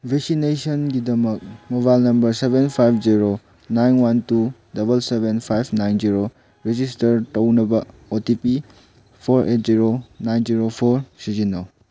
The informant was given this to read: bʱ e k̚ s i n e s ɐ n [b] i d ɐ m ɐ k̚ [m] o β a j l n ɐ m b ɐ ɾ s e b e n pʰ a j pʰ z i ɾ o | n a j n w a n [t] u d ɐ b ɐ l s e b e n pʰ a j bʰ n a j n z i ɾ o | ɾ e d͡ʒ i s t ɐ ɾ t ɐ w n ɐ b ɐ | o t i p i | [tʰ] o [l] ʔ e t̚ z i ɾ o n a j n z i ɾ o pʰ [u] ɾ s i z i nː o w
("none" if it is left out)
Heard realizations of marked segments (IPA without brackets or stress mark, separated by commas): ɡ, m, t, pʰ, ɾ, o